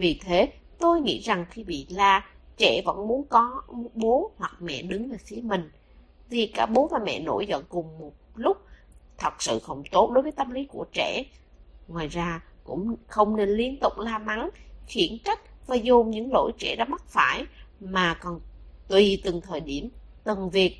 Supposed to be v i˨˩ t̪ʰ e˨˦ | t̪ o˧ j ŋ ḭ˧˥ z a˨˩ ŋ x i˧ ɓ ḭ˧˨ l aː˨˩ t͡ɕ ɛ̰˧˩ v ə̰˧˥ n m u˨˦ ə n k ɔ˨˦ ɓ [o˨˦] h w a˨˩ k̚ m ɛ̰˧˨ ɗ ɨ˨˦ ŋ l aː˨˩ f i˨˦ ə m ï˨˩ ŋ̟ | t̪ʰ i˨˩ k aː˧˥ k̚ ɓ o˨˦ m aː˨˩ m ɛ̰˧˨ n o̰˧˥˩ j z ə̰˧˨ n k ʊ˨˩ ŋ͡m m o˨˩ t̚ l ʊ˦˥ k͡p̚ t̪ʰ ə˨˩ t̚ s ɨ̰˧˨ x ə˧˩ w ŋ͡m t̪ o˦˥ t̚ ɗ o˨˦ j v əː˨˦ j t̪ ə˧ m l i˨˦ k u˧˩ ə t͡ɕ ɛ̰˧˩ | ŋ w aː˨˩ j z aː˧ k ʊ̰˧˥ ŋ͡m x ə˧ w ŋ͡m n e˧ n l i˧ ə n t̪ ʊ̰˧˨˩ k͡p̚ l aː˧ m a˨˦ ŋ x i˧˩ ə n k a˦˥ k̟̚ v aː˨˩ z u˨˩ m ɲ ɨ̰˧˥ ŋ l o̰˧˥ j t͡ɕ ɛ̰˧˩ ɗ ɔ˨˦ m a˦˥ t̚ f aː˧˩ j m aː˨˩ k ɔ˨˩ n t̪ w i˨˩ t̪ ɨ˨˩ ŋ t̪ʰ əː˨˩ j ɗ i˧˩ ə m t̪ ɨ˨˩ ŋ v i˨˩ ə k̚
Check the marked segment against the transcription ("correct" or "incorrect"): correct